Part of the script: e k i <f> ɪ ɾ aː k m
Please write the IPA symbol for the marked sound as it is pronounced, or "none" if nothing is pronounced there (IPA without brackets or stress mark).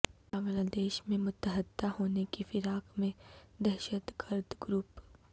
f